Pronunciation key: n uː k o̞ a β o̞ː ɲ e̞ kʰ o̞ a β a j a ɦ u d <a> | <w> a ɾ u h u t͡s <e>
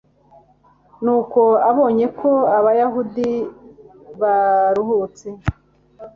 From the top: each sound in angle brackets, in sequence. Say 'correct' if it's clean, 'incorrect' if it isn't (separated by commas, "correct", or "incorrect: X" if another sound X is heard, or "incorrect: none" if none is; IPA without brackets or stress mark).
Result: incorrect: i, incorrect: β, correct